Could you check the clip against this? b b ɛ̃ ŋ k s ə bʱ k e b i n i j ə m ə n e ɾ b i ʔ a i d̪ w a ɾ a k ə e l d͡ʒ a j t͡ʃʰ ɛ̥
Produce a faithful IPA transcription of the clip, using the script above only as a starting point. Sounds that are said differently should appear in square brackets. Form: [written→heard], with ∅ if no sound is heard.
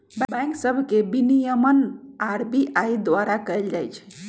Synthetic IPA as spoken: b b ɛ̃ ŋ k s ə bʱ k e b i n i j ə m ə n [e→a] ɾ b i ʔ a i d̪ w a ɾ a k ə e l d͡ʒ a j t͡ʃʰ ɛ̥